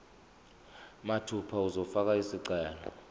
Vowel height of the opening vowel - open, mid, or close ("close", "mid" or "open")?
open